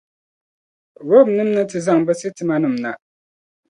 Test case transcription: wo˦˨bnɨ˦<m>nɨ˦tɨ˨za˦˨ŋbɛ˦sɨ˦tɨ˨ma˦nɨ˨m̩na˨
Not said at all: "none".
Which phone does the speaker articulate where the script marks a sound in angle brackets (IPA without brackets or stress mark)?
m